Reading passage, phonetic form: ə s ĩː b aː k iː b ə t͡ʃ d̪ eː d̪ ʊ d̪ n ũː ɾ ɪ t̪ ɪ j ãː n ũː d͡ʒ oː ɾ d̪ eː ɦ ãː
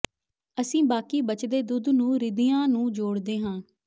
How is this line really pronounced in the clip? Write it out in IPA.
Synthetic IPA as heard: ə s ĩː b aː k iː b ə t͡ʃ d̪ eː d̪ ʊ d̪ n ũː ɾ ɪ d̪ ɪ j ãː n ũː d͡ʒ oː ɽ d̪ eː ɦ ãː